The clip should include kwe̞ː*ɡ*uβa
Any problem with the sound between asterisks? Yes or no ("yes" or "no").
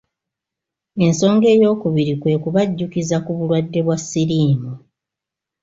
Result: yes